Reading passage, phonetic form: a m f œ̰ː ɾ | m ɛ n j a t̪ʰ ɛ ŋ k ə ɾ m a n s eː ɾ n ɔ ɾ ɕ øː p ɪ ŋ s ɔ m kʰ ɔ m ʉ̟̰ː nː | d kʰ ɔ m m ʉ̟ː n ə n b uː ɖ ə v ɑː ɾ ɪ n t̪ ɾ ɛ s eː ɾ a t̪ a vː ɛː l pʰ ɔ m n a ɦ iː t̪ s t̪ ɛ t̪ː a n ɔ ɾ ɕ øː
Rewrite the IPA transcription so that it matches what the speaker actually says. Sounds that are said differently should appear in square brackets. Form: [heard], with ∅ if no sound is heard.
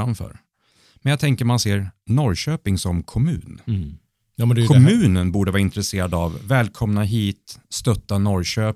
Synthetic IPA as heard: a m f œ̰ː ɾ | m ɛ n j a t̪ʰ ɛ ŋ k ə ɾ m a n s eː ɾ n ɔ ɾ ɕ øː p ɪ ŋ s ɔ m kʰ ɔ m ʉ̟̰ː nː | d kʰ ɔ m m ʉ̟ː n ə n b uː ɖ ə v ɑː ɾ ɪ n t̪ ɾ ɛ s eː ɾ a [d̪] a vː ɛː l [kʰ] ɔ m n a ɦ iː t̪ s t̪ [œ] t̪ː a n ɔ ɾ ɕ øː